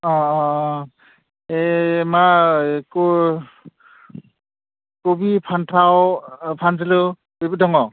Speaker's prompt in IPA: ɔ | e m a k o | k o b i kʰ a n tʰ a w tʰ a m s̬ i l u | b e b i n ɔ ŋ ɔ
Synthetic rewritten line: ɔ | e m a k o | k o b i pʰ a n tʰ a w pʰ a n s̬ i l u | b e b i d ɔ ŋ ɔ